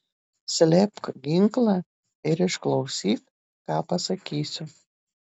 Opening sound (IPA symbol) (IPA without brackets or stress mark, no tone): sʲ